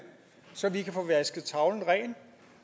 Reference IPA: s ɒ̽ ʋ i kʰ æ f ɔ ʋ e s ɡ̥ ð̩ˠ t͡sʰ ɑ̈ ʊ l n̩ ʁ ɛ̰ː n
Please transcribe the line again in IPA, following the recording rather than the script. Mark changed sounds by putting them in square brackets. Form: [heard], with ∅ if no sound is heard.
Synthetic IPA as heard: s ɒ̽ ʋ i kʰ æ f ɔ ʋ [æ] s ɡ̥ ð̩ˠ t͡sʰ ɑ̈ ʊ l n̩ ʁ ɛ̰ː n